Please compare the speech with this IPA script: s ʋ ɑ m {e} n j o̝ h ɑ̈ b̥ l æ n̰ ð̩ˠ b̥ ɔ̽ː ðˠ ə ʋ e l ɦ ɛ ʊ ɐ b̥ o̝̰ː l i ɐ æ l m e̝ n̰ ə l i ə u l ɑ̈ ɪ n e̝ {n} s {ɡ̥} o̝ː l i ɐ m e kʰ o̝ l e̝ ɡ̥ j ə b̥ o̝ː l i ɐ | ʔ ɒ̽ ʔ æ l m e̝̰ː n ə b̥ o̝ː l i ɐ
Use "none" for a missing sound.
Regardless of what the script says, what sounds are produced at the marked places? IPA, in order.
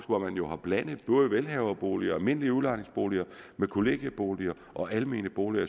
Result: æ, ŋ, b̥

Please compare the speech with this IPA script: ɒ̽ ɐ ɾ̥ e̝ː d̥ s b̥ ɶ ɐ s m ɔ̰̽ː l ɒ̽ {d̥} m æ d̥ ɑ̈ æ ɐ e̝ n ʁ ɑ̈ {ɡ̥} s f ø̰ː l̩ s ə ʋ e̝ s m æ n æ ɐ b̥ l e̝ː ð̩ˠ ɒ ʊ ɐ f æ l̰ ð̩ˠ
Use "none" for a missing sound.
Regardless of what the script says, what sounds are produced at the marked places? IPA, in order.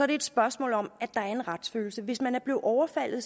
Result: none, d̥

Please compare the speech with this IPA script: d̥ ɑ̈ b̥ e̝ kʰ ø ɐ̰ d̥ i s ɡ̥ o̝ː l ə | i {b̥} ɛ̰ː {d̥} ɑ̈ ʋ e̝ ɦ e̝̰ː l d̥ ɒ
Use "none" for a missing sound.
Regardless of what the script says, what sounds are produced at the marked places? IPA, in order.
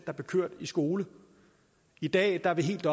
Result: d̥, d̥

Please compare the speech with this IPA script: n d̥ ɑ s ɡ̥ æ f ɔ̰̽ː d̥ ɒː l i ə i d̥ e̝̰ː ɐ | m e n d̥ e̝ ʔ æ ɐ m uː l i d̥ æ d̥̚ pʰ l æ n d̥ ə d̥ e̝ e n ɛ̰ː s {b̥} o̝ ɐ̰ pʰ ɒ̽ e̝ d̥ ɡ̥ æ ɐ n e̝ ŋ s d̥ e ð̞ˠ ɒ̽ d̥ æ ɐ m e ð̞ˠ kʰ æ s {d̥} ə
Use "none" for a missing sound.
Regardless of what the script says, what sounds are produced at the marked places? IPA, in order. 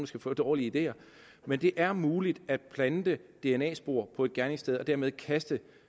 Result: b̥, d̥

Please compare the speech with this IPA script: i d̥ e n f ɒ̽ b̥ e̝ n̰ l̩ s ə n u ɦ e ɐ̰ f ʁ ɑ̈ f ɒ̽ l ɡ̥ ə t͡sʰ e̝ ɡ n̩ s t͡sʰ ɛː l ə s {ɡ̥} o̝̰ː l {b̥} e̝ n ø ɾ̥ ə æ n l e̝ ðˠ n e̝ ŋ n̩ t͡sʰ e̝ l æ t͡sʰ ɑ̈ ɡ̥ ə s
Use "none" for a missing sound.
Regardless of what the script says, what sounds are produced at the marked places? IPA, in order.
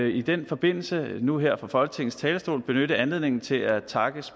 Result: d̥, b̥

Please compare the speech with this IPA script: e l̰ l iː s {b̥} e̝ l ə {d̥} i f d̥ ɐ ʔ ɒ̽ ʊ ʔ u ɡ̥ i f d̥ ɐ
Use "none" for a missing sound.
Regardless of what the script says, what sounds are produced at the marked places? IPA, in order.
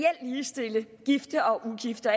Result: d̥, ɡ̥

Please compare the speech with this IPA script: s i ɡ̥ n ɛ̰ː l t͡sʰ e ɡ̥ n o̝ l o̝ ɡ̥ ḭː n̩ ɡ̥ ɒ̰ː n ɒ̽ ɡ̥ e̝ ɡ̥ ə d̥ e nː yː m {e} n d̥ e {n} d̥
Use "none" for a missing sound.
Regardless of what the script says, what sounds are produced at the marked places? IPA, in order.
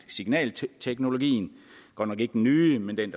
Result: e, n

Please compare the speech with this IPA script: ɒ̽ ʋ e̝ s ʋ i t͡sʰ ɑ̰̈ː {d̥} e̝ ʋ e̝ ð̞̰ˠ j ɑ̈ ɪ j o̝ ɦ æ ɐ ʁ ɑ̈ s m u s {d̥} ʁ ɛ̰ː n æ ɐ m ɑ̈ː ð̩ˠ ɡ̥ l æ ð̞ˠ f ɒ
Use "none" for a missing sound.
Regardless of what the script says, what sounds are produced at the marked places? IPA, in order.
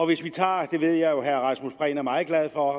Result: d̥, b̥

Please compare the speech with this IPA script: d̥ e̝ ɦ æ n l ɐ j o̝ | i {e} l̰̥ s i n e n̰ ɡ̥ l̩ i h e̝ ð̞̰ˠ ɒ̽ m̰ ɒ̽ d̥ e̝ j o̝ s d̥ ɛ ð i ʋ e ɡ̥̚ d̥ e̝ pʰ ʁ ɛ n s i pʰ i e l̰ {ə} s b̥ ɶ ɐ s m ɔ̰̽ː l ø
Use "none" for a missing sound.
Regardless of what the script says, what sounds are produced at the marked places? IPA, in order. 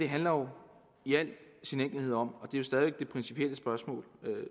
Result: æ, ə

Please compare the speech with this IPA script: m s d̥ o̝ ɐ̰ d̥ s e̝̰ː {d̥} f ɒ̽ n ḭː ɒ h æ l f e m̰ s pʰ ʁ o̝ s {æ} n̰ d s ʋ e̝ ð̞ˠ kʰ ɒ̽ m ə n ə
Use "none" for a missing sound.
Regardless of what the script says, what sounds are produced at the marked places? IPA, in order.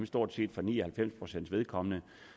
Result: d̥, e

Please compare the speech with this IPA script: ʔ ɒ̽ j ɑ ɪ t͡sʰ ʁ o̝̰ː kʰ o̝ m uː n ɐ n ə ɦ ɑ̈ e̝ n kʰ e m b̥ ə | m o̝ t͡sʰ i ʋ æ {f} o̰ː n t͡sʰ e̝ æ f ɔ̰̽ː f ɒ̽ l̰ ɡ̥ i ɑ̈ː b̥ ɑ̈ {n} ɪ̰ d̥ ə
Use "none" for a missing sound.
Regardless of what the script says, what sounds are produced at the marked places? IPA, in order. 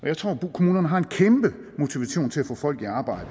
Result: ɕ, none

